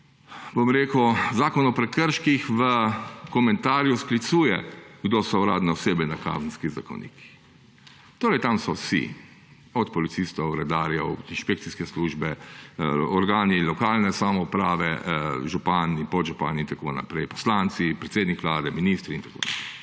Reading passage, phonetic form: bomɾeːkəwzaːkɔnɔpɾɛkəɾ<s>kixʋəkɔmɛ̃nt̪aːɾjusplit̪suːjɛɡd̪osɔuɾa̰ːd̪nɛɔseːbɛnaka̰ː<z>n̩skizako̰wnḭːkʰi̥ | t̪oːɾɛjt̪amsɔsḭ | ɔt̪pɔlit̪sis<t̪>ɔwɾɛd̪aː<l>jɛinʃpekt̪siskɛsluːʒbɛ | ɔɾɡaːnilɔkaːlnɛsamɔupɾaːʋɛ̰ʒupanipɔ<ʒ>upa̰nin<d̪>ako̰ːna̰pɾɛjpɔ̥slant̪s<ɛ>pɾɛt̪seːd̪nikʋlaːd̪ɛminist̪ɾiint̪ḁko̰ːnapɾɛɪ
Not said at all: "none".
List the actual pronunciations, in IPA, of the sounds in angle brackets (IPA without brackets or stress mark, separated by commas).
ʃ, z, t̪, ɾ, ʒ, t̪, i